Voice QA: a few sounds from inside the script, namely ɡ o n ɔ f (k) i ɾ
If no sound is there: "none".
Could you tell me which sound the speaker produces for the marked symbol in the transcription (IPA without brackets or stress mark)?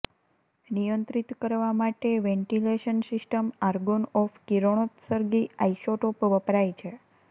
k